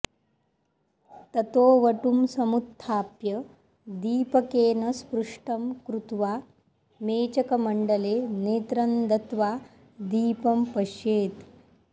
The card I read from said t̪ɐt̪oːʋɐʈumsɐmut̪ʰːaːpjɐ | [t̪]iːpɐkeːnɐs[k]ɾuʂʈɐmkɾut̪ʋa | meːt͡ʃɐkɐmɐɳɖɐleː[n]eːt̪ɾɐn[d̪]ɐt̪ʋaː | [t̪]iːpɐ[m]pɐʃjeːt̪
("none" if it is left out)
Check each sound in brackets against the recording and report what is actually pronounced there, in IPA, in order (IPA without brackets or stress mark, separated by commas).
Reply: d̪, p, n, d̪, d̪, m